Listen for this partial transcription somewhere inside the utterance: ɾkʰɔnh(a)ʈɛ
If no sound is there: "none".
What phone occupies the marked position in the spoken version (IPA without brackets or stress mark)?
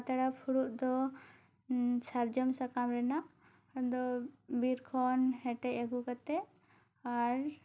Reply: ɛ